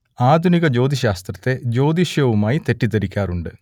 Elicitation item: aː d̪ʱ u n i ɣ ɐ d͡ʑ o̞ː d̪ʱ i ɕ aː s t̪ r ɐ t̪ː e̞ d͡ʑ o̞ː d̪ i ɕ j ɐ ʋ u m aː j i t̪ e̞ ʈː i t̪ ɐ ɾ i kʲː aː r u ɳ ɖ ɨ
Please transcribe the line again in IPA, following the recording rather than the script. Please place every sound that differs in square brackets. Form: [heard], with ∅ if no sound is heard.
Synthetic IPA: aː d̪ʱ u n i ɣ ɐ d͡ʑ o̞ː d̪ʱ i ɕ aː s t̪ r ɐ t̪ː e̞ d͡ʑ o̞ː d̪ i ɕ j ɐ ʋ u m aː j i t̪ e̞ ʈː i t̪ ɐ ɾ i kʲː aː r u ɳ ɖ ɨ